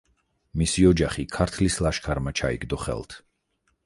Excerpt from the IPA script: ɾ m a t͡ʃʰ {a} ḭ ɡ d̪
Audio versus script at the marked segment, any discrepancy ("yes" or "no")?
no